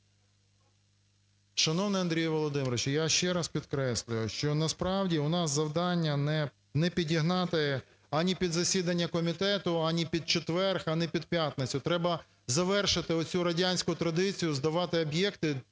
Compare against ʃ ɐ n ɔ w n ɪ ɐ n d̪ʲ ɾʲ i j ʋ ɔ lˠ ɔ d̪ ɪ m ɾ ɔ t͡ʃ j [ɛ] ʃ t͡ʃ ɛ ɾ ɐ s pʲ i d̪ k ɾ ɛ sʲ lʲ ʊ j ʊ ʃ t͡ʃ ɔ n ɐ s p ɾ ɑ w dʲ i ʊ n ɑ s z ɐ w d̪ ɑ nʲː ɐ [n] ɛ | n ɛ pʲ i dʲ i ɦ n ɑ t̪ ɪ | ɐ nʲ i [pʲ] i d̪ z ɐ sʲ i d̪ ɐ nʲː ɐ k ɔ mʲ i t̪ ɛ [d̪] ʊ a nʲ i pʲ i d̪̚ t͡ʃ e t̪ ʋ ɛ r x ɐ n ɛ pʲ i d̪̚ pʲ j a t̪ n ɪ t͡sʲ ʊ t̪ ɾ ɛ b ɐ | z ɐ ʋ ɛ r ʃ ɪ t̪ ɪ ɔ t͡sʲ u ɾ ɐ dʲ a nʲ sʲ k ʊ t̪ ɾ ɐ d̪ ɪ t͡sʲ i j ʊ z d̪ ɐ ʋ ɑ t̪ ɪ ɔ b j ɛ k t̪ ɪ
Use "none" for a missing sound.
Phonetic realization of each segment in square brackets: a, n, pʲ, t̪

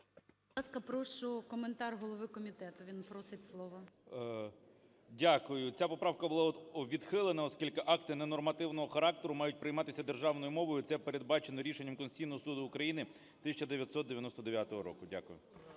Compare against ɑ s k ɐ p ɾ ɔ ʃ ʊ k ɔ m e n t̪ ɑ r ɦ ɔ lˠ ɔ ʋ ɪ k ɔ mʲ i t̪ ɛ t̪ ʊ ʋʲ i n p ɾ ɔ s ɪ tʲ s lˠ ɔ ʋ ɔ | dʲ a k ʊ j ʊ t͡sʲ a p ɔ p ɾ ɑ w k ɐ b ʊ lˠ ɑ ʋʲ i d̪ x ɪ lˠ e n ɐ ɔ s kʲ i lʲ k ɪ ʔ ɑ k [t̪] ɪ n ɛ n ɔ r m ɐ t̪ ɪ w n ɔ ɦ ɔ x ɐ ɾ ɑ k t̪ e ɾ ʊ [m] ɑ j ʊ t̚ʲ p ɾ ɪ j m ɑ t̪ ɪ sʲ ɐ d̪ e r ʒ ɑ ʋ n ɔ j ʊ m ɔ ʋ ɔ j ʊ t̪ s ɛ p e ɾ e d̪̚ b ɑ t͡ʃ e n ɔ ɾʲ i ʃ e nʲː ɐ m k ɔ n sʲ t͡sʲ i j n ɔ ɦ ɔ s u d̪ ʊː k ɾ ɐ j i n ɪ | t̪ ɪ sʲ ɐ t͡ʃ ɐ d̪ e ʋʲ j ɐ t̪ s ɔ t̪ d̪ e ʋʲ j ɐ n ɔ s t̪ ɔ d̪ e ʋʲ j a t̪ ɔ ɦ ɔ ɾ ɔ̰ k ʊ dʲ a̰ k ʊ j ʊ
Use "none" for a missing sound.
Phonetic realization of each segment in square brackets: t̪, m

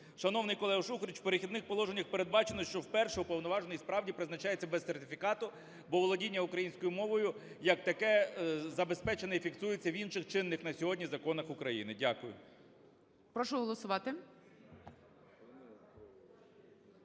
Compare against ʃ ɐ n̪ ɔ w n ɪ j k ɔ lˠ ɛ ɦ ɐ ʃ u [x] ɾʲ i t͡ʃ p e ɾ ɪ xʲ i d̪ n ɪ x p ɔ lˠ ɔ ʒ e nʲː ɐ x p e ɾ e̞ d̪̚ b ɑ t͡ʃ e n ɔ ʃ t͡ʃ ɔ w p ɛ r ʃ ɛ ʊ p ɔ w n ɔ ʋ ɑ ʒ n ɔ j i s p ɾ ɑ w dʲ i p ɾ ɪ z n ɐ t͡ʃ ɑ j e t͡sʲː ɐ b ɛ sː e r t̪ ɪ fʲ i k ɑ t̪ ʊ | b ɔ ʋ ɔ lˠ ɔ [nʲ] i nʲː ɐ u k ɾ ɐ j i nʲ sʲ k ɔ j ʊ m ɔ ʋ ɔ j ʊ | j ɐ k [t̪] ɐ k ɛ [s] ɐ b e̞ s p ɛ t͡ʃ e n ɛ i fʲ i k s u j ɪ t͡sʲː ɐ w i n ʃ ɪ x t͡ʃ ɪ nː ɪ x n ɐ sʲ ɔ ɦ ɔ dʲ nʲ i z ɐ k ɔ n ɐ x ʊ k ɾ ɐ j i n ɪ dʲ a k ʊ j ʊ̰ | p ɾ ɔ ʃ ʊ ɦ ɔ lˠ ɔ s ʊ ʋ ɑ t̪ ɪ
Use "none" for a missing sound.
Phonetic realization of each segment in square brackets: x, dʲ, t̪, z

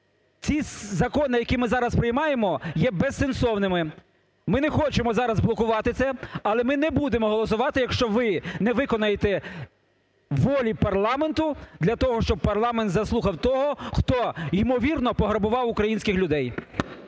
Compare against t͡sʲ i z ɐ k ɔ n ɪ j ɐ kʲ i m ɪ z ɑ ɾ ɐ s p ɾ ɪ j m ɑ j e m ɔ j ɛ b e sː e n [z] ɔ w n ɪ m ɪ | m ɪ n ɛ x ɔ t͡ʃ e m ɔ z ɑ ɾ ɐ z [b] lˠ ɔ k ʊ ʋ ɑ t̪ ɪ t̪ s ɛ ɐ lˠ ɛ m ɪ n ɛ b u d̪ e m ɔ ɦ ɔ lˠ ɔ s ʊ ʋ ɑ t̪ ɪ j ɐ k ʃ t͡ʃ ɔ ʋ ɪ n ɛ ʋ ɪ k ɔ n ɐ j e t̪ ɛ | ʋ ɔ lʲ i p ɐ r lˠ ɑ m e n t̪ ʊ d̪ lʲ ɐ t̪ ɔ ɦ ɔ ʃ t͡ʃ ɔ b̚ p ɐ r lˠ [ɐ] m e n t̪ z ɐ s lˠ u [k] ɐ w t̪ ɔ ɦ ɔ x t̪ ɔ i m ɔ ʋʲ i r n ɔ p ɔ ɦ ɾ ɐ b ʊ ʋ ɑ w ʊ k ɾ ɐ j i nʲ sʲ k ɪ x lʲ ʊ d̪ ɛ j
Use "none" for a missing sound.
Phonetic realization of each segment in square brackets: s, b, ɑ, x

